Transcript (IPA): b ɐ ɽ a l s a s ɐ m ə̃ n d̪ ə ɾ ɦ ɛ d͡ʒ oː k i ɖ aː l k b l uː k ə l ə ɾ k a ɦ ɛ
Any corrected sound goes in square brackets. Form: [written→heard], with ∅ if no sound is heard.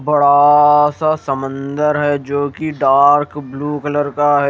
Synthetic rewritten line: b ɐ ɽ a [l→∅] s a s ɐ m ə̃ n d̪ ə ɾ ɦ ɛ d͡ʒ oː k i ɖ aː [l→ɾ] k b l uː k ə l ə ɾ k a ɦ ɛ